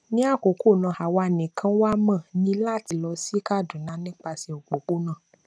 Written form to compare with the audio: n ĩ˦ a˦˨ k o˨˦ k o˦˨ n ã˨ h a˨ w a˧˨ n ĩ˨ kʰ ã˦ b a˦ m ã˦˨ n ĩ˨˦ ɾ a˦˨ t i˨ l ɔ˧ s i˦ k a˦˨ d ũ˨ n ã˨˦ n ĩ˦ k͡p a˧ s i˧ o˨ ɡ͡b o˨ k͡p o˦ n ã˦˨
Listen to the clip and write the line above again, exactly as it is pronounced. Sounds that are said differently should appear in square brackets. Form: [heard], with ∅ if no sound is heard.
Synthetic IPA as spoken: n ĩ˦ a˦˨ k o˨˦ k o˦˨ n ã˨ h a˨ w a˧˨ n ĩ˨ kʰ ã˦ [w] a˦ m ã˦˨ n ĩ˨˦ [l] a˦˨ t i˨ l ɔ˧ s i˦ k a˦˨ d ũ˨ n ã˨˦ n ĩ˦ k͡p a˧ s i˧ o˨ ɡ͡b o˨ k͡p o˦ n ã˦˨